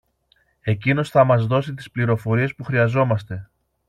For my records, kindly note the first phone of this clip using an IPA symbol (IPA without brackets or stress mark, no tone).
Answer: e̞